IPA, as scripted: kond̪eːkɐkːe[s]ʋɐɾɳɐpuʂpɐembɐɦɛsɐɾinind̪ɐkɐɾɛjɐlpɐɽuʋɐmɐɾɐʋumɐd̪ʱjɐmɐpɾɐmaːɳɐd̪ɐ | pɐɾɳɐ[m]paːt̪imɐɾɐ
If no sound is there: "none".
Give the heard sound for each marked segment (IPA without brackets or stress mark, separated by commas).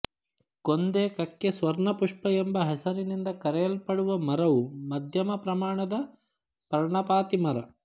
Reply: s, none